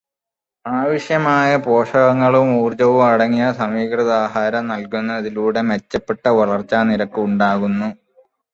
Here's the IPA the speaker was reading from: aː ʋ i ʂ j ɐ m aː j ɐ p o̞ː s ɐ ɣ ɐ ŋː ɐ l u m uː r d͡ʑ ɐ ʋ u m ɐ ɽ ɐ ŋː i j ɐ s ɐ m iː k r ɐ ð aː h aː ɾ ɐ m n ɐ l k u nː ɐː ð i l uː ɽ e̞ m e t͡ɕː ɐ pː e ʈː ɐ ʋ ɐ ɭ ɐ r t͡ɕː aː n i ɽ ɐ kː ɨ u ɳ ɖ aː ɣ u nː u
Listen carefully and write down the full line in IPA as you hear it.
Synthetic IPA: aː ʋ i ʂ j ɐ m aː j ɐ p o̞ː ʂ ɐ ɣ ɐ ŋː ɐ ɭ u m uː r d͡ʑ ɐ ʋ u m ɐ ɽ ɐ ŋː i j ɐ s ɐ m iː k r ɐ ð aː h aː ɾ ɐ m n ɐ l k u nː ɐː ð i l uː ɽ e̞ m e t͡ɕː ɐ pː e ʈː ɐ ʋ ɐ ɭ ɐ r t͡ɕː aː n i ɾ ɐ kː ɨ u ɳ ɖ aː ɣ u nː u